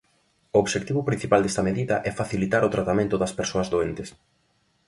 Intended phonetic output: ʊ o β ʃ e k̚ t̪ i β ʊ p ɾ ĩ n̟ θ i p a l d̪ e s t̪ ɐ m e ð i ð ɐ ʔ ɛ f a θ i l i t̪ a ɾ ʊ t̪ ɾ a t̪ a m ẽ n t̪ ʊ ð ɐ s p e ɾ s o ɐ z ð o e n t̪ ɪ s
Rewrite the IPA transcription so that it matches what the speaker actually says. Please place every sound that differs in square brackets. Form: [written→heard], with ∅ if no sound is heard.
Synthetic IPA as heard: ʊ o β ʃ e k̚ t̪ i β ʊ p ɾ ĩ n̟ θ i p a l d̪ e s t̪ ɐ m e ð i ð ɐ ʔ ɛ f a θ i l i t̪ a ɾ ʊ t̪ ɾ a t̪ a m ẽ n t̪ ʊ ð ɐ s p e ɾ s o ɐ z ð o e n t̪ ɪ s